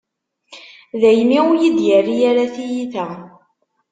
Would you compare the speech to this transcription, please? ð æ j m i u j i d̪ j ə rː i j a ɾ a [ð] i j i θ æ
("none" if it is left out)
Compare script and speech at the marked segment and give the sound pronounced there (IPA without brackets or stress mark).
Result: θ